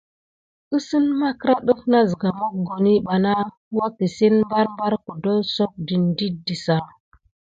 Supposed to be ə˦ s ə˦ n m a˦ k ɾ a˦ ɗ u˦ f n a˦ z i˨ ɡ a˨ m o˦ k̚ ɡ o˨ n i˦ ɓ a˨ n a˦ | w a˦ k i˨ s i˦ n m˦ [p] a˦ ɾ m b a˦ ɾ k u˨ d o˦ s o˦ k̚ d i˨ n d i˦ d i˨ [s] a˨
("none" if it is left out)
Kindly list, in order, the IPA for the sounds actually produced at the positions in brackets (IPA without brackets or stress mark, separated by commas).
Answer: b, s